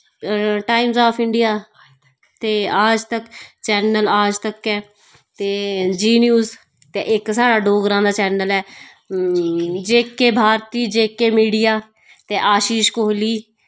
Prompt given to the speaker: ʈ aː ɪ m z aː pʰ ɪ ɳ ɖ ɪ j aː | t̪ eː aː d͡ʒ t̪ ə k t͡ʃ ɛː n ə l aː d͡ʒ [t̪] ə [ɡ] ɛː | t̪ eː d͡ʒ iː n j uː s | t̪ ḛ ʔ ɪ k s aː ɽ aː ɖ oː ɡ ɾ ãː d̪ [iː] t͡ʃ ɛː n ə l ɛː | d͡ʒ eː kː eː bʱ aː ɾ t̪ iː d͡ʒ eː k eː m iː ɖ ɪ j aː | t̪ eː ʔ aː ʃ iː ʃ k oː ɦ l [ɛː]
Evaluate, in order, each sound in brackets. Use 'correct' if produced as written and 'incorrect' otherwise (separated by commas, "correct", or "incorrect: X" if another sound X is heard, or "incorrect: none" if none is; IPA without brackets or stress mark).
correct, incorrect: k, incorrect: aː, incorrect: iː